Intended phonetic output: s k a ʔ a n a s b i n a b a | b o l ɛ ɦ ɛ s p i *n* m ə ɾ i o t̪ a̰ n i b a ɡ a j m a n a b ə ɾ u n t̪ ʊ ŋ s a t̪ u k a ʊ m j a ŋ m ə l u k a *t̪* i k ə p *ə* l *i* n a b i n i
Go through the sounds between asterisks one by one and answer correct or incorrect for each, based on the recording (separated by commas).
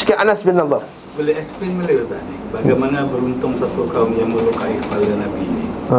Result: correct, incorrect, incorrect, incorrect